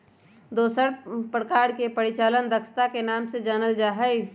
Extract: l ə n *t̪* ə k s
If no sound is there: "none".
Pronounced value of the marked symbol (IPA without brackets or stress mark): d̪